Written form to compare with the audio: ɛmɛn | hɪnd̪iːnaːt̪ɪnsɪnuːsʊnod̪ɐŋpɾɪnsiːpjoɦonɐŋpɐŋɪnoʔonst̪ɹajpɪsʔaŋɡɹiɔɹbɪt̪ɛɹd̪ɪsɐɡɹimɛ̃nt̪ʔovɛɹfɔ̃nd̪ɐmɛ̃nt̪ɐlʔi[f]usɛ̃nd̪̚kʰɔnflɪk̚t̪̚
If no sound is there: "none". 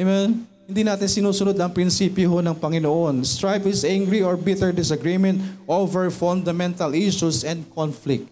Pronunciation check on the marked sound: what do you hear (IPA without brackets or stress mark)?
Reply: ʃ